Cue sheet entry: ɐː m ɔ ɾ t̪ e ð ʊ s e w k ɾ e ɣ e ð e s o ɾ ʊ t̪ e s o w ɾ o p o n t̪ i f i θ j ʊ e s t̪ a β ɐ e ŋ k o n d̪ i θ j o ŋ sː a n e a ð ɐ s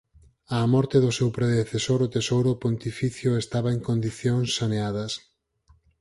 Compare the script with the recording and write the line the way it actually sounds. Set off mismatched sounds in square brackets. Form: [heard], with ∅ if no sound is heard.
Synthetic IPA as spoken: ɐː m ɔ ɾ t̪ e ð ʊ s e w [p] ɾ e [ð] e [θ] e s o ɾ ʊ t̪ e s o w ɾ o p o n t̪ i f i θ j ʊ e s t̪ a β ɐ e ŋ k o n d̪ i θ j o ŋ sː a n e a ð ɐ s